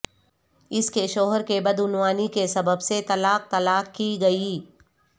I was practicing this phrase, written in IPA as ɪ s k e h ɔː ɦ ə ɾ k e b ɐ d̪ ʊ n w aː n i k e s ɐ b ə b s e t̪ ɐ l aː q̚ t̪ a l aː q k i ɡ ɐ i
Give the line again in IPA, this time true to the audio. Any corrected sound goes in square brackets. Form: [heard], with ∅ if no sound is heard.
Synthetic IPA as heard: ɪ s k e [ʃ] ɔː ɦ ə ɾ k e b ɐ d̪ ʊ n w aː n i k e s ɐ b ə b s e t̪ ɐ l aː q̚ t̪ [ɐ] l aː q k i ɡ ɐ i